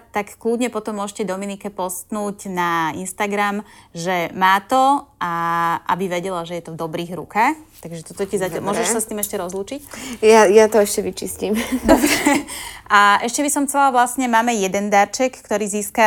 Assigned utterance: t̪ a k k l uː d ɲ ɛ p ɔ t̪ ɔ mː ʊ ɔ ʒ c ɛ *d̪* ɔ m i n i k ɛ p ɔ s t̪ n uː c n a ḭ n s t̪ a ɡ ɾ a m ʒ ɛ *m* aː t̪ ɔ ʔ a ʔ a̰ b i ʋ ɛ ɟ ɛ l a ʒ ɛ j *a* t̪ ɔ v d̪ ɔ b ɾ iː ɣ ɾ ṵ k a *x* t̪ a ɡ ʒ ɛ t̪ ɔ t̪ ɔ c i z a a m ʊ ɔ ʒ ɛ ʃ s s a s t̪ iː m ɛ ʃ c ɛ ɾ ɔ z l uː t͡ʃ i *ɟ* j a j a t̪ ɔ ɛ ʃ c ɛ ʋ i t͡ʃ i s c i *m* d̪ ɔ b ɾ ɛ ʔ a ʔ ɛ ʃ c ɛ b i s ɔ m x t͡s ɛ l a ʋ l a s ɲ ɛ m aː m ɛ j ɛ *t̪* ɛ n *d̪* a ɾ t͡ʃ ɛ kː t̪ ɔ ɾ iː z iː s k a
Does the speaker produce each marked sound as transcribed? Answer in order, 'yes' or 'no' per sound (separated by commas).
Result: yes, yes, no, yes, no, yes, no, yes